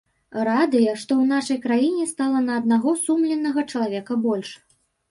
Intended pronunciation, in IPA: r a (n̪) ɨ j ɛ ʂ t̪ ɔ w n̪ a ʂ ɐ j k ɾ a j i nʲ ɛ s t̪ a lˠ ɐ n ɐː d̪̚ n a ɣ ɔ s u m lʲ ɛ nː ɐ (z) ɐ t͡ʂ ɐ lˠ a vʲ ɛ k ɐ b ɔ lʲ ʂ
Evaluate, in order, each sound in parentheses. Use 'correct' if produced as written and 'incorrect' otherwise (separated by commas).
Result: incorrect, incorrect